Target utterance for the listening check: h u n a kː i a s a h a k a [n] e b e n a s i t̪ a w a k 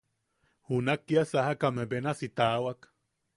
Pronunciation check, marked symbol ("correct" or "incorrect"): incorrect